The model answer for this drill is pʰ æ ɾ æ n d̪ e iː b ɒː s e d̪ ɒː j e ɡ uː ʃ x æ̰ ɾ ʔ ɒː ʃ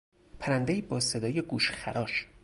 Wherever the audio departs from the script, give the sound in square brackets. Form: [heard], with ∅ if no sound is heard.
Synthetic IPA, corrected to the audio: pʰ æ ɾ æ n d̪ e iː b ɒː s e d̪ ɒː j e ɡ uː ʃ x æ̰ ɾ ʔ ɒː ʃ